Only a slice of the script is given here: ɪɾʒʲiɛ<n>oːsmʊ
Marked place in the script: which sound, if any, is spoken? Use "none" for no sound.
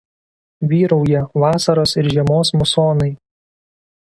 m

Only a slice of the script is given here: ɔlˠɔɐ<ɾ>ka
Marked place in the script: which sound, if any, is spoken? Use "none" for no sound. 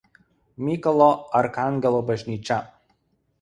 ɾ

